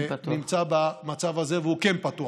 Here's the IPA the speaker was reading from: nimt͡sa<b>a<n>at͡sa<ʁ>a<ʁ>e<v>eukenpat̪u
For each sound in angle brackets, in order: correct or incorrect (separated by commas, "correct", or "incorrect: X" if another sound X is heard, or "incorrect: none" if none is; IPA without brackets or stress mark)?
correct, incorrect: m, incorrect: v, incorrect: z, correct